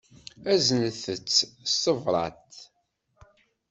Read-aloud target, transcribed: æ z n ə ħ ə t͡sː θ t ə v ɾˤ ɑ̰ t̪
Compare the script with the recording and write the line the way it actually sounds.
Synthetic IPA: æ z n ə θ ə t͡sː s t ə v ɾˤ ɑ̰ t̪